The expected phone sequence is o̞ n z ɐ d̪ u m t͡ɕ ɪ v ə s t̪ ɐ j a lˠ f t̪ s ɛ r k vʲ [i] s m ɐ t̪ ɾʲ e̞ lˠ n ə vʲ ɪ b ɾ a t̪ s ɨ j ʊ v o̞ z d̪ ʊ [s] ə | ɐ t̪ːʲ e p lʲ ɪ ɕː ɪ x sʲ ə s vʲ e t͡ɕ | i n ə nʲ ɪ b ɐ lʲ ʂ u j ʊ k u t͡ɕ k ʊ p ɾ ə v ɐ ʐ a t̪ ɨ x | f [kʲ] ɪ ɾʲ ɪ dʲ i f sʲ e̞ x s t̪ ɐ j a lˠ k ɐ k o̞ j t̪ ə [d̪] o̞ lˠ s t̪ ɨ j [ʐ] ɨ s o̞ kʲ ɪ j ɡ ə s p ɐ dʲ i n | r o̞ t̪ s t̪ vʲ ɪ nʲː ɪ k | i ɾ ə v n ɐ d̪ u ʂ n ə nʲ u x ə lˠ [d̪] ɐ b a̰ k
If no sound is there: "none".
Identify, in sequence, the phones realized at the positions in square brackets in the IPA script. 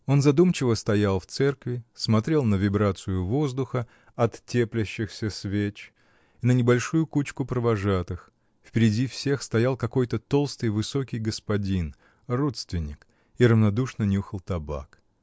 ɪ, x, pʲ, t̪, v, t̪

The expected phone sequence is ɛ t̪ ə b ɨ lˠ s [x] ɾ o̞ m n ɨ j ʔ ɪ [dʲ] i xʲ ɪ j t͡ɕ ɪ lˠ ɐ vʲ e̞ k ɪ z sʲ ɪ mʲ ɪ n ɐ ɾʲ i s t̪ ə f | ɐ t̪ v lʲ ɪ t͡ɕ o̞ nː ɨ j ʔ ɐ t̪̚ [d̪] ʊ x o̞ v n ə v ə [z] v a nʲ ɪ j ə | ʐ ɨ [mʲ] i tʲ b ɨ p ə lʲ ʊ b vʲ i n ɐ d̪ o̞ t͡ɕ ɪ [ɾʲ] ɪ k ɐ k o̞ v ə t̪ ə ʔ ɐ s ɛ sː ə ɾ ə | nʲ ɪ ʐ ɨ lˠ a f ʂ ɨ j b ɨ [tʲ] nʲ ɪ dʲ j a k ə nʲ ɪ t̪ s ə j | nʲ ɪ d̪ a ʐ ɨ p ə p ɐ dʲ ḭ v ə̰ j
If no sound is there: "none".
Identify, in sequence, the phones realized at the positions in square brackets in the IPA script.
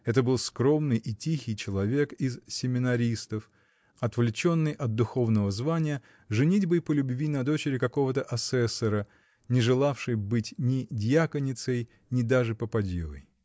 k, tʲ, d̪, z, nʲ, ɾʲ, tʲ

